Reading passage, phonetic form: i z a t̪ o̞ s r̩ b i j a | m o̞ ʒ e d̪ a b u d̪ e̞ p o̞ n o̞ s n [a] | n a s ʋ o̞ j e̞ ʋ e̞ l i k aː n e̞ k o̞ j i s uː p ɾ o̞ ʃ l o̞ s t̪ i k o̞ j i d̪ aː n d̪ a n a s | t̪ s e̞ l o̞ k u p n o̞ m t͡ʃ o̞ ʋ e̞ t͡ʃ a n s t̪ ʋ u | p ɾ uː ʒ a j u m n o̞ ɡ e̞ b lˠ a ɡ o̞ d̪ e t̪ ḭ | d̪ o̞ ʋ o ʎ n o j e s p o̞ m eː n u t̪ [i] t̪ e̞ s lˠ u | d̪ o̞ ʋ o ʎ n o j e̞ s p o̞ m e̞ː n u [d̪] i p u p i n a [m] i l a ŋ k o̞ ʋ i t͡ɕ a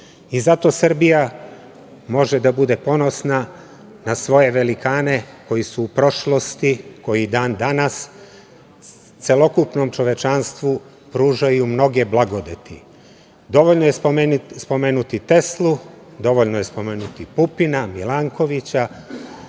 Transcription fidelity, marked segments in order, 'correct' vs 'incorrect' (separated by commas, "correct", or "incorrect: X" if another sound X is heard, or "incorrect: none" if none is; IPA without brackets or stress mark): correct, correct, incorrect: t̪, correct